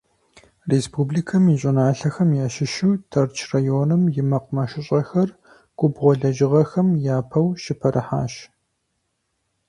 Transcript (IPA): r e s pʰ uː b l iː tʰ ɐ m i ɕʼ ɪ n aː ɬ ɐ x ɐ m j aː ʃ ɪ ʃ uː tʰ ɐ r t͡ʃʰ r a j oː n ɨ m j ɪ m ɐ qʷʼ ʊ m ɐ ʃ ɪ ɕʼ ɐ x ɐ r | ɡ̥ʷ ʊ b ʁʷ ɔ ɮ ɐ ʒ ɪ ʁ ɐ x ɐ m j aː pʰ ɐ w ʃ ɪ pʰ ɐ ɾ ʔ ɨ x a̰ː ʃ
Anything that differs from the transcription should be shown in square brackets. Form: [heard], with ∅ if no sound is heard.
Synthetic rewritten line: r e s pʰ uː b l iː [kʰ] ɐ m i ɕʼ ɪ n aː ɬ ɐ x ɐ m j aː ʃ ɪ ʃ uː tʰ ɐ r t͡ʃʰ r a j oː n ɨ m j ɪ m ɐ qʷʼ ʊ m ɐ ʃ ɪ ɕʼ ɐ x ɐ r | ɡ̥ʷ ʊ b ʁʷ ɔ ɮ ɐ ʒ ɪ ʁ ɐ x ɐ m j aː pʰ ɐ w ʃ ɪ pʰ ɐ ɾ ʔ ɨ [ħ] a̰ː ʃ

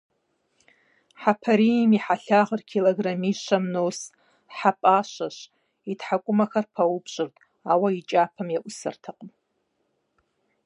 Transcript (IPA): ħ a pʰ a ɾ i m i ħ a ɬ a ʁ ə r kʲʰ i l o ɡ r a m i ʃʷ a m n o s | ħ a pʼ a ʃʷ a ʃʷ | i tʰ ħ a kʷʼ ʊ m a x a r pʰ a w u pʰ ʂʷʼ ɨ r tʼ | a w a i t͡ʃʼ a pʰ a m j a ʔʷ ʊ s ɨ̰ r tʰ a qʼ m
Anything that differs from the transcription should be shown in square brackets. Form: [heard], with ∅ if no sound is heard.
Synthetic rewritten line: ħ a pʰ a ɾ i m i ħ a ɬ a ʁ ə r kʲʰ i l o ɡ r a m i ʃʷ a m n o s | ħ a pʼ a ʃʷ a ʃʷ | i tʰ ħ a kʷʼ ʊ m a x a r pʰ a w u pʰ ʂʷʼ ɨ r tʼ | a w a i t͡ʃʼ a pʰ a m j a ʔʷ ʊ s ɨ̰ r tʰ a qʼ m

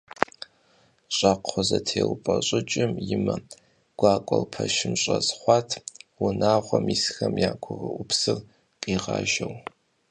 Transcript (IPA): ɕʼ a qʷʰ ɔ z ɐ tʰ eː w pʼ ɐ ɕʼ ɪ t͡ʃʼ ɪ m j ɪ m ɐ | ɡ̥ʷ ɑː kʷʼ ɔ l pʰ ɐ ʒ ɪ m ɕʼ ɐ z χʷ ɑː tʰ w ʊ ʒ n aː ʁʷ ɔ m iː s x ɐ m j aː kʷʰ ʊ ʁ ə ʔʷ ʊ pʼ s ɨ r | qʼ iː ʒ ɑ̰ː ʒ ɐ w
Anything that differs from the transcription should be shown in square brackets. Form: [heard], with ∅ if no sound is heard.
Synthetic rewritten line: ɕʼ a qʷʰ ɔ z ɐ tʰ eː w pʼ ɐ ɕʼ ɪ t͡ʃʼ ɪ m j ɪ m ɐ | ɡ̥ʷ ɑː kʷʼ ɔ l pʰ ɐ [ʃ] ɪ m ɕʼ ɐ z χʷ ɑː tʰ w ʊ [∅] n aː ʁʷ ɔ m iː s x ɐ m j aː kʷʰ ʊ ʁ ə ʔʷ ʊ [p] s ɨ r | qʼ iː [ʁ] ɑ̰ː ʒ ɐ w

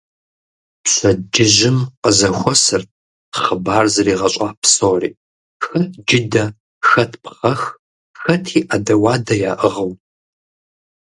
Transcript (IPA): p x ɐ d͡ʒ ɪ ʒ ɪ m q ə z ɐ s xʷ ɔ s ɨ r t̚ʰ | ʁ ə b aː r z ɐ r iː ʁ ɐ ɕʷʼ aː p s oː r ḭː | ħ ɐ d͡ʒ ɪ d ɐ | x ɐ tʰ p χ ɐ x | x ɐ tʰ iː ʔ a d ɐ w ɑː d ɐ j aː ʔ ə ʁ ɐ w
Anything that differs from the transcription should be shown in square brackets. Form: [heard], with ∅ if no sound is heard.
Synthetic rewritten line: p [ɕ] ɐ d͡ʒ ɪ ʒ ɪ m q ə z ɐ [∅] xʷ ɔ s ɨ r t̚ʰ | [χ] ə b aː r z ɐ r iː ʁ ɐ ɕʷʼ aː p s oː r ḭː | [x] ɐ d͡ʒ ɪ d ɐ | x ɐ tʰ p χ ɐ x | x ɐ tʰ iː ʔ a d ɐ w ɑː d ɐ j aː ʔ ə ʁ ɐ w

